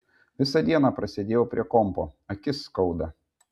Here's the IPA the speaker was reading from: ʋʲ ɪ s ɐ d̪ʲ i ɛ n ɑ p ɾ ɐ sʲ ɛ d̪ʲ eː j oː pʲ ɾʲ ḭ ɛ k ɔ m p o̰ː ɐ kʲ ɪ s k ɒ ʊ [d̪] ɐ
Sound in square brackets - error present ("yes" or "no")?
no